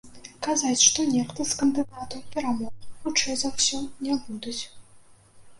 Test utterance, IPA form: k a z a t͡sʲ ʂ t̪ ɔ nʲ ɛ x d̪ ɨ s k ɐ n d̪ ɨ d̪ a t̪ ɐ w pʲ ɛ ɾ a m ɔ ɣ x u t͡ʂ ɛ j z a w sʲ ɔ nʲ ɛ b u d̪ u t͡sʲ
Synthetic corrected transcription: k a z a t͡sʲ ʂ t̪ ɔ nʲ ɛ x t̪ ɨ s k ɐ n d̪ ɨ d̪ a t̪ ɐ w pʲ ɛ ɾ a m ɔ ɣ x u t͡ʂ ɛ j z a w sʲ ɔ nʲ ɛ b u d̪ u t͡sʲ